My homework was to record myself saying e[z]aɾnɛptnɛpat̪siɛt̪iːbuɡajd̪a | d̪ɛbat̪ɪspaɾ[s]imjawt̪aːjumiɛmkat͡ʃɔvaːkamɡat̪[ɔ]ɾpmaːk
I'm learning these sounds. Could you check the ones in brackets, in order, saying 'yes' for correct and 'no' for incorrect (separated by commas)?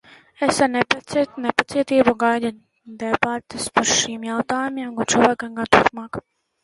no, no, no